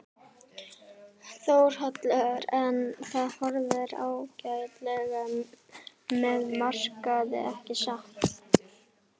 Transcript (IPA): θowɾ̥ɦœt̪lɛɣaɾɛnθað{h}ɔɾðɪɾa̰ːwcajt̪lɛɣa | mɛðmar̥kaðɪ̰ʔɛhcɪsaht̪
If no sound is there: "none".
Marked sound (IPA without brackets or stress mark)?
h